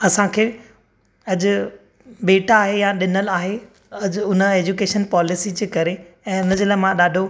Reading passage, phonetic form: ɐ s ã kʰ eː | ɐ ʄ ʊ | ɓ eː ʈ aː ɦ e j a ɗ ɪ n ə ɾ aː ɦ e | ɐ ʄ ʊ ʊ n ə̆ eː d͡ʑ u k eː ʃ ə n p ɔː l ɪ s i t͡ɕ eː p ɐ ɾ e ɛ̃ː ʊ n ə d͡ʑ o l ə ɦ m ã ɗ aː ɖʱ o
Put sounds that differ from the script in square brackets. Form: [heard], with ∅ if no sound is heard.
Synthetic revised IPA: ɐ s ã kʰ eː | ɐ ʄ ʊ | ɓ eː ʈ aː ɦ e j a ɗ ɪ n ə [l] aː ɦ e | ɐ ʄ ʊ ʊ n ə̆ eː d͡ʑ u k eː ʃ ə n p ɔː l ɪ s i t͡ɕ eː [k] ɐ ɾ e ɛ̃ː ʊ n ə d͡ʑ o l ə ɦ m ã ɗ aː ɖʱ o